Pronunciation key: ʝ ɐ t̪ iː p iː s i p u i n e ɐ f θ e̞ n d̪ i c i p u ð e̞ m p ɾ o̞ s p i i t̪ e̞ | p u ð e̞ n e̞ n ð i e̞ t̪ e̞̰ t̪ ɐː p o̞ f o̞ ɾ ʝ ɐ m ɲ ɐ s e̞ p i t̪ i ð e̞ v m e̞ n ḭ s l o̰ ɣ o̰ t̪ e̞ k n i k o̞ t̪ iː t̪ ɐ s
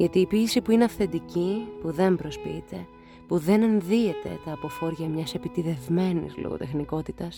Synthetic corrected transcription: ʝ ɐ t̪ iː p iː s i p u i n e ɐ f θ e̞ n d̪ i c i p u ð e̞ m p ɾ o̞ s p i i t̪ e̞ | p u ð e̞ n e̞ n ð i e̞ t̪ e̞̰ t̪ ɐː p o̞ f o̞ ɾ ʝ ɐ m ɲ ɐ s e̞ p i t̪ i ð e̞ v m e̞ n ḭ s l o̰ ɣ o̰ t̪ e̞ x n i k o̞ t̪ i t̪ ɐ s